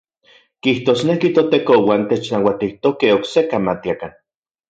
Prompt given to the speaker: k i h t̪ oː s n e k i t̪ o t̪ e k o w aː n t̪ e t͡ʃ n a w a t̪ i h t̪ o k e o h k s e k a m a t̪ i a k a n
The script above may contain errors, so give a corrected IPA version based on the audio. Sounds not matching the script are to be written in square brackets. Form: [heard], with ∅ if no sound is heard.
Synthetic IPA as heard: k i h t̪ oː s n e k i t̪ o t̪ e k o w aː n t̪ e t͡ʃ n a w a t̪ i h t̪ o k e o [∅] k s e k a m a t̪ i a k a n